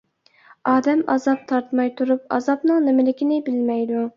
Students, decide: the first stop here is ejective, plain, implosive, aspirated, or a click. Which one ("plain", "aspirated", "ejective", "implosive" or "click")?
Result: plain